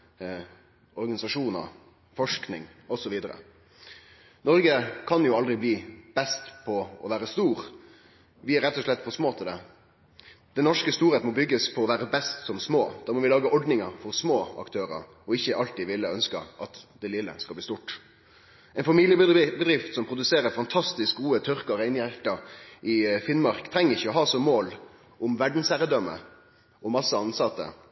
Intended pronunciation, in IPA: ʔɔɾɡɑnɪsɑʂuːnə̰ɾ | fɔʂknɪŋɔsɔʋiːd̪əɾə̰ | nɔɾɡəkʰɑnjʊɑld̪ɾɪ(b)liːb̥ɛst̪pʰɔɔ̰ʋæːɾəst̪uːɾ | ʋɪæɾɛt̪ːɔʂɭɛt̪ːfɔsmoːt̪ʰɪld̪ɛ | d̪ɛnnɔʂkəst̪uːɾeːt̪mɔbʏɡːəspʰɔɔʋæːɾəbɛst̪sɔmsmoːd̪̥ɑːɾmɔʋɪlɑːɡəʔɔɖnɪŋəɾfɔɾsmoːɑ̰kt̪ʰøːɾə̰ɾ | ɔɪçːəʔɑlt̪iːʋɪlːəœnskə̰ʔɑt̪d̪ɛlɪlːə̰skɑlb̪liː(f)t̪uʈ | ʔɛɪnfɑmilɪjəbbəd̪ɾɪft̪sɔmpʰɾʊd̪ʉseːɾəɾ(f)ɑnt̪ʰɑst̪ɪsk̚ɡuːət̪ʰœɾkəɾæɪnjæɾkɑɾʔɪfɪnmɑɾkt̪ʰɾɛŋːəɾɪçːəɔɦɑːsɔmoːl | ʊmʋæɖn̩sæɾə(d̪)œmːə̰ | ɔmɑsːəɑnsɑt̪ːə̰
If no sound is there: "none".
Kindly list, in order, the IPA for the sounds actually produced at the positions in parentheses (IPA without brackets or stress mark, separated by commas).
b, s, f, d̪